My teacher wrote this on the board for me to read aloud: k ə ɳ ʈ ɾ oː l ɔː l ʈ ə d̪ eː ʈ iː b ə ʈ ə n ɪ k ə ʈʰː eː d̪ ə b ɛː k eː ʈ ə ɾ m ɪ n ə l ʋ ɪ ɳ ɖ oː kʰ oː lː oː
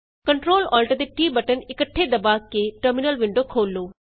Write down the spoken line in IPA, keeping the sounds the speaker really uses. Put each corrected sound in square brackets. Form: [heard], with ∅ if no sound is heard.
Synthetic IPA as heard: k ə ɳ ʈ ɾ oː l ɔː l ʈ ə d̪ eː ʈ iː b ə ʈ ə n ɪ k ə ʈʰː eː d̪ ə b [aː] k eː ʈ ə ɾ m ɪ n ə l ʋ ɪ ɳ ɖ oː kʰ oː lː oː

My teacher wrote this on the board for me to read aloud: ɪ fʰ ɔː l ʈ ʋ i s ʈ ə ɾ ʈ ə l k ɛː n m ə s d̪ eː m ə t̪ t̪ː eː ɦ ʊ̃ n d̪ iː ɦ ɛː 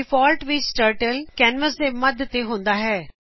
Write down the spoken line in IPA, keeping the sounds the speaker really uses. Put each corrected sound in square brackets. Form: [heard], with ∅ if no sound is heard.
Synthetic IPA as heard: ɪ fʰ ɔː l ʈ ʋ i s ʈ ə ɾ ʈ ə l k ɛː n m ə s d̪ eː m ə [d̪] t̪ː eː ɦ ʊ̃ n d̪ [aː] ɦ ɛː

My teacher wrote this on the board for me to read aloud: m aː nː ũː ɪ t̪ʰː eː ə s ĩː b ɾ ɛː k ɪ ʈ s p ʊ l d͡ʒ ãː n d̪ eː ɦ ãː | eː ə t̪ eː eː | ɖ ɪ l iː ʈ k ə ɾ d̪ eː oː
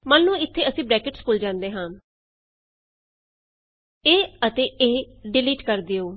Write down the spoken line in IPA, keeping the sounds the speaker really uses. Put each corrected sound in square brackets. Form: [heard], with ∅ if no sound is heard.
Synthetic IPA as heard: m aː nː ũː ɪ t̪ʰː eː ə s ĩː b ɾ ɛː k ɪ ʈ s p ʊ l d͡ʒ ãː n d̪ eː ɦ ãː | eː ə t̪ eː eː | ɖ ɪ l iː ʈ k ə ɾ d̪ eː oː

